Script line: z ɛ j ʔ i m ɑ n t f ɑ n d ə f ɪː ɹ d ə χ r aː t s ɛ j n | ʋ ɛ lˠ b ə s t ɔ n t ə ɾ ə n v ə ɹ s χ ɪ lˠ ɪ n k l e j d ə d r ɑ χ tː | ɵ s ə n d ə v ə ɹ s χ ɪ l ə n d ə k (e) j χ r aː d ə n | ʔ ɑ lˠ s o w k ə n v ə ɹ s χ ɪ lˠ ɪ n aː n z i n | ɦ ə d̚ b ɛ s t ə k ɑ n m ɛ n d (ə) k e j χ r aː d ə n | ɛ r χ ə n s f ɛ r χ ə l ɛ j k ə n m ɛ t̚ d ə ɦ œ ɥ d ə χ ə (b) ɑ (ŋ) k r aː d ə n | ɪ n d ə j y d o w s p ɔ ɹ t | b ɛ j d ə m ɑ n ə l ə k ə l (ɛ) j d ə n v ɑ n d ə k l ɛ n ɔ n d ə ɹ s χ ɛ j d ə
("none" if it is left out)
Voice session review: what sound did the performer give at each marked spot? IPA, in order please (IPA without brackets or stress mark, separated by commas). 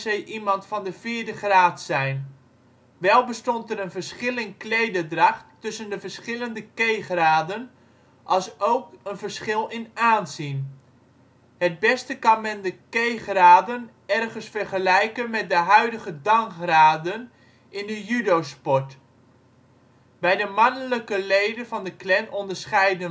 e, ə, d, ŋ, e